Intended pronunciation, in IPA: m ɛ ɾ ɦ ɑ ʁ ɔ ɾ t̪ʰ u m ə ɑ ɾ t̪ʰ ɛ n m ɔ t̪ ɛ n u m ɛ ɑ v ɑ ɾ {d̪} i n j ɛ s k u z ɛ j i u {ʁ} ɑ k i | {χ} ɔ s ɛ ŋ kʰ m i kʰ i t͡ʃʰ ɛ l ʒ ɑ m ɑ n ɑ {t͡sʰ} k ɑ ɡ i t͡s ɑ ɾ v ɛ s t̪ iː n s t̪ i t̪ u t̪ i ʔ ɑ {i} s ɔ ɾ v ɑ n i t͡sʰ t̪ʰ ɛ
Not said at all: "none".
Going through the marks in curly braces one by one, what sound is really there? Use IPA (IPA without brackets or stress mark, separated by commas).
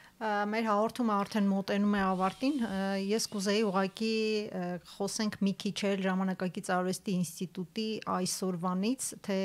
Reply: t̪, ʁ, χ, none, j